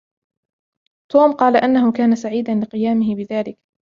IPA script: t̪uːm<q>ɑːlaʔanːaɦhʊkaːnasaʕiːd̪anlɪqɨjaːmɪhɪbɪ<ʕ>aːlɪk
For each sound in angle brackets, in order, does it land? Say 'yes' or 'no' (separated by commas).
yes, no